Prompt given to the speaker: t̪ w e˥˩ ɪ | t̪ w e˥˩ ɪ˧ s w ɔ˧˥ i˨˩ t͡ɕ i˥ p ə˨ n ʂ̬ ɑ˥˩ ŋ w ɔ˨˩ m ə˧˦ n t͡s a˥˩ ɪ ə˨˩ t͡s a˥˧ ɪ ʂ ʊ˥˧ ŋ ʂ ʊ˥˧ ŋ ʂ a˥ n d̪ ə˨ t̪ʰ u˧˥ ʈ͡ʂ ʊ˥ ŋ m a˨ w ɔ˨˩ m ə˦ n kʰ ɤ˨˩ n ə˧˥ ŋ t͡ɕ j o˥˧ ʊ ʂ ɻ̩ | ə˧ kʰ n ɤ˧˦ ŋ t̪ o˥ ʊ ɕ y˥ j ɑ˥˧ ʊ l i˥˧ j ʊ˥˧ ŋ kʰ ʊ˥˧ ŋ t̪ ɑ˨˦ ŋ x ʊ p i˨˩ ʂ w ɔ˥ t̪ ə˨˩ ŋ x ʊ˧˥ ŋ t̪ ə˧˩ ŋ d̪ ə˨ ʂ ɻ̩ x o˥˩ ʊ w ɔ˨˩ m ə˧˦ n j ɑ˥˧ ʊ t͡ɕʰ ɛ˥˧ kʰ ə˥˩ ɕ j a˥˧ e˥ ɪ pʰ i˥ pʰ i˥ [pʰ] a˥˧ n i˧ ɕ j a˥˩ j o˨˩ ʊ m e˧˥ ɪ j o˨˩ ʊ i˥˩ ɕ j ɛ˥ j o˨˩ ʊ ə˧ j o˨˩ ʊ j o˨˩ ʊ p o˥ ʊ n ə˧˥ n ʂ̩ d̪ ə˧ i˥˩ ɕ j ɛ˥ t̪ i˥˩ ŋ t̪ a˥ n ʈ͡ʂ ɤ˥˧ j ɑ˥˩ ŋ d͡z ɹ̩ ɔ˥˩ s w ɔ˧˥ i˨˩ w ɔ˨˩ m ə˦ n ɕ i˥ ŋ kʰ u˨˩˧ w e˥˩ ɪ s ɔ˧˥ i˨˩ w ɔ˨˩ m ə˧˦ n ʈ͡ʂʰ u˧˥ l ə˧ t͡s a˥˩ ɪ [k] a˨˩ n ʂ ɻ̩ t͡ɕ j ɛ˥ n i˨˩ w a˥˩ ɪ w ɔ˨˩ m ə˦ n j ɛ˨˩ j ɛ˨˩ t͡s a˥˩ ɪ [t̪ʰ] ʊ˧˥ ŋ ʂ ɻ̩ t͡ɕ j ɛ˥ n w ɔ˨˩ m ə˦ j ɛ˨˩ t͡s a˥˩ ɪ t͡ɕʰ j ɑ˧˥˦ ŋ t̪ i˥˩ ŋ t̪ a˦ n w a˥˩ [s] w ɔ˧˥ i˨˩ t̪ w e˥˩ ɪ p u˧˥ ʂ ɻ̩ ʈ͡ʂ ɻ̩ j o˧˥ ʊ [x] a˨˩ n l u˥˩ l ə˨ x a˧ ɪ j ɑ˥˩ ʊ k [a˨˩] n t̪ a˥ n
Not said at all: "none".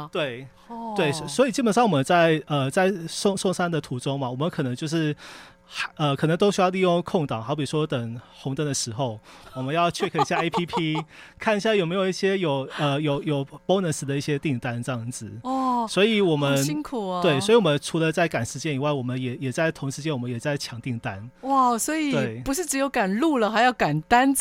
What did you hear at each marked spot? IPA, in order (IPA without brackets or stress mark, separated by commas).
kʰ, k, t̪ʰ, s, k, a˨˩